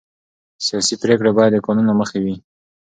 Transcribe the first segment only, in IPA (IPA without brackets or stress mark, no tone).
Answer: s